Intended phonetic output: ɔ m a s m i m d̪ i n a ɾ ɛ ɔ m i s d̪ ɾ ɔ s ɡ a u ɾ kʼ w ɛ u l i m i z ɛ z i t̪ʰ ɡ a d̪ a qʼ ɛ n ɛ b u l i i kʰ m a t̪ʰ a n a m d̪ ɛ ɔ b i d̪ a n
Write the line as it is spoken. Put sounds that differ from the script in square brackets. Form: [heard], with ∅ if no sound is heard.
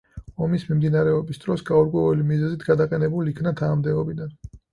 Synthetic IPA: ɔ m [i] s m i m d̪ i n a ɾ ɛ ɔ [b] i s d̪ ɾ ɔ s ɡ a u ɾ kʼ w ɛ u l i m i z ɛ z i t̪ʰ ɡ a d̪ a qʼ ɛ n ɛ b u l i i kʰ [n] a t̪ʰ a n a m d̪ ɛ ɔ b i d̪ a n